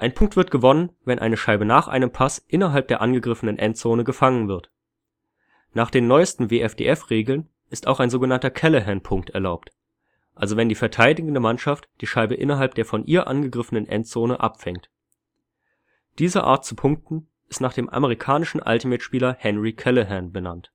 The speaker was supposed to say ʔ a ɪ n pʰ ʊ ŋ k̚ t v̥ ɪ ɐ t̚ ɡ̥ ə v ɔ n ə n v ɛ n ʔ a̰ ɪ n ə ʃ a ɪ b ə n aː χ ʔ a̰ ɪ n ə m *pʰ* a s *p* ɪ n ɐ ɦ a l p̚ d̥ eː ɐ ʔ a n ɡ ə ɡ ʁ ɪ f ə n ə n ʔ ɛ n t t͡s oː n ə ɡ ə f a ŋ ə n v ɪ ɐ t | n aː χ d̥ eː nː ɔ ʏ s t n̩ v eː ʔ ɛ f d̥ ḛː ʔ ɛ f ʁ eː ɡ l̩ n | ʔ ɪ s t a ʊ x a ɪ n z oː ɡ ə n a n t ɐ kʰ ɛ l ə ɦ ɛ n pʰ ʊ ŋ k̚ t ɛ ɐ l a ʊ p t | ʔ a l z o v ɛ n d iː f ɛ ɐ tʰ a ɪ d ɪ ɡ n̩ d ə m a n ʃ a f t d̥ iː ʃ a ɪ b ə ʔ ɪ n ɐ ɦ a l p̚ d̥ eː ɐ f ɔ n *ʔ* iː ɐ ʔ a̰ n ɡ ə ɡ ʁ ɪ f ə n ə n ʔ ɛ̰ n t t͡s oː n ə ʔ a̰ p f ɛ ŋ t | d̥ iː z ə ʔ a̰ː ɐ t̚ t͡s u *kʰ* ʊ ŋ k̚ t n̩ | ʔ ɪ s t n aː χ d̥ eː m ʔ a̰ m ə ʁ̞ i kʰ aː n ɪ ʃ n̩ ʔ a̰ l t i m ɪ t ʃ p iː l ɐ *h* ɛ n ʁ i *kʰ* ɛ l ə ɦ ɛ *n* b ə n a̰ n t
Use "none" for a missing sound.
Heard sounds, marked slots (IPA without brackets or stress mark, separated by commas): pʰ, ʔ, ʔ, pʰ, h, kʰ, n